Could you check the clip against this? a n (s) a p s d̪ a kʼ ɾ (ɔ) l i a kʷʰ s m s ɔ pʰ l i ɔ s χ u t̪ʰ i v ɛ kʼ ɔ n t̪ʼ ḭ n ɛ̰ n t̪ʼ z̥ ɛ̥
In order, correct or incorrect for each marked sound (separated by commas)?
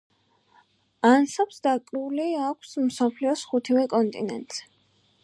correct, incorrect